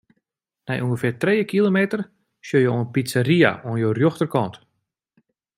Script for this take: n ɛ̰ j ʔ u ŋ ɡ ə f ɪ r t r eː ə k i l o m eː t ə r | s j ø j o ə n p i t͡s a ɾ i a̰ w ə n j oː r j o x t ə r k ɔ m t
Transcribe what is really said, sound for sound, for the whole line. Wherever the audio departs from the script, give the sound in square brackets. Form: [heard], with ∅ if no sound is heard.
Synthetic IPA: n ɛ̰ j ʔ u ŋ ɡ ə f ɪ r t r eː ə k i l o m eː t ə r | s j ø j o ə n p i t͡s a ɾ i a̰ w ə n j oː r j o x t ə r k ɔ [n] t